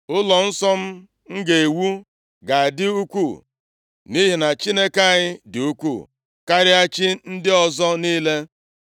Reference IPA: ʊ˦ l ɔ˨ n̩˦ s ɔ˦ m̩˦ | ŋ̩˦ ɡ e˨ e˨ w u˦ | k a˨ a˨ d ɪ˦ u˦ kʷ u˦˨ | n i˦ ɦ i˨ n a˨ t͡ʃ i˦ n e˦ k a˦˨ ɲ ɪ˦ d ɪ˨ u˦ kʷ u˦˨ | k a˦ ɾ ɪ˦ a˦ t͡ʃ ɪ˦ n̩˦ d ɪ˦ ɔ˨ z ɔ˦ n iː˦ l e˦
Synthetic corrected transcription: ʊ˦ l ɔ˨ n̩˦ s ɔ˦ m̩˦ | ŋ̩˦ ɡ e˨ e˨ w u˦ | ɡ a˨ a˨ d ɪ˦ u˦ kʷ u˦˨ | n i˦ ɦ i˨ n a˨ t͡ʃ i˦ n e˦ k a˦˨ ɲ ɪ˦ d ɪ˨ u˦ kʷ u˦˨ | k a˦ ɾ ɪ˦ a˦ t͡ʃ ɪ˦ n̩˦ d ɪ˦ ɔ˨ z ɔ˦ n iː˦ l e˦